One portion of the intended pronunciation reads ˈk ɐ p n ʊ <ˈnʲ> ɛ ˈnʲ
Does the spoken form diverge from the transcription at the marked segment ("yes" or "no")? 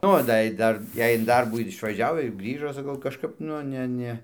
no